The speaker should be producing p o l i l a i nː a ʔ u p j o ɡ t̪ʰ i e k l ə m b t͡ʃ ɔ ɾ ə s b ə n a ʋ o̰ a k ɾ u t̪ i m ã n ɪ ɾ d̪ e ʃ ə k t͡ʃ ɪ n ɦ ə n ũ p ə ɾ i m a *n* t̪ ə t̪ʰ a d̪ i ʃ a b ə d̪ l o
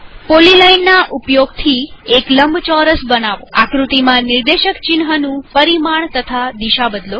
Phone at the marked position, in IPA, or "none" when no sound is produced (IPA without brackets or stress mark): ɳ